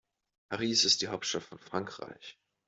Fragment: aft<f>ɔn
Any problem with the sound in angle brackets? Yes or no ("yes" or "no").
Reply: no